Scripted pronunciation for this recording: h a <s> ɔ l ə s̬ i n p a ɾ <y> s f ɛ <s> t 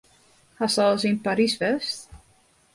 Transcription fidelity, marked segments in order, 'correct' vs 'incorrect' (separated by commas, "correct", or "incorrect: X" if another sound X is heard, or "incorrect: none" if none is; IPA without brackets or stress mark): correct, incorrect: i, correct